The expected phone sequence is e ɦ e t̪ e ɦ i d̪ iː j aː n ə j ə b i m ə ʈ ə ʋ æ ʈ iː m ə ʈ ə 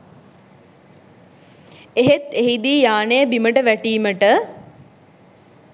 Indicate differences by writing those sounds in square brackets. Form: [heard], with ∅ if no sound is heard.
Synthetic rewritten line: e ɦ e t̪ e ɦ i d̪ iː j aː n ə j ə b i m ə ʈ ə ʋ æ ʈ iː m ə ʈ ə